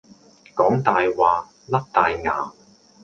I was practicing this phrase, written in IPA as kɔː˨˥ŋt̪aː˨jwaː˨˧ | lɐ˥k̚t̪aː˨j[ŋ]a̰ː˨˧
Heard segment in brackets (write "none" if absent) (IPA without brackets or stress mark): ŋ